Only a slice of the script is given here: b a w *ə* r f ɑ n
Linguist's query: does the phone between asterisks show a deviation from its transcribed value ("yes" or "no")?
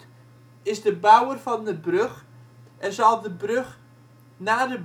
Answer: no